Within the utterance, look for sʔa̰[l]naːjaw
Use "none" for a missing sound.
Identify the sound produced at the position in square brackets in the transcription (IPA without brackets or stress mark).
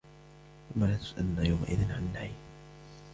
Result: l